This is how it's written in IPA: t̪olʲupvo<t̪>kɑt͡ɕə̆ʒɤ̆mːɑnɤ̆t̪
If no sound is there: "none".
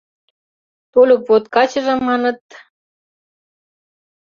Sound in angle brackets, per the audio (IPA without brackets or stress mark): t̪